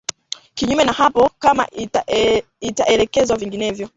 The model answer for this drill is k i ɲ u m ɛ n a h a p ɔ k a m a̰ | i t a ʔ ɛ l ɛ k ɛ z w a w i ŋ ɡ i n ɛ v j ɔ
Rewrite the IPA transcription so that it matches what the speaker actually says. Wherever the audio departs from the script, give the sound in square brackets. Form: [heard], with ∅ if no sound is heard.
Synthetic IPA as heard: k i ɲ u m ɛ n a h a p ɔ k a m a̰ | i t a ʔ ɛ l ɛ k ɛ z w a [v] i ŋ ɡ i n ɛ v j ɔ